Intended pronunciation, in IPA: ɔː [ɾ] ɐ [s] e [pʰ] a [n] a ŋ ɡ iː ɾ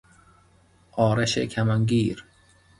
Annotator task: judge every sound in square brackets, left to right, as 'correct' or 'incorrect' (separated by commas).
correct, incorrect, incorrect, incorrect